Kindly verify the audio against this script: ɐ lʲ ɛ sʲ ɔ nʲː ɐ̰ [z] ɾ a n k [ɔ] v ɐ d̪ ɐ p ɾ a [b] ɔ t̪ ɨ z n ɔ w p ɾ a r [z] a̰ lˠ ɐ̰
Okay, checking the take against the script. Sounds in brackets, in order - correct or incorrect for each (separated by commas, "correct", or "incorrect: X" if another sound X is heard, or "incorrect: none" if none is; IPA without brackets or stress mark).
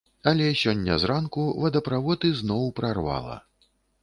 correct, incorrect: u, incorrect: v, incorrect: v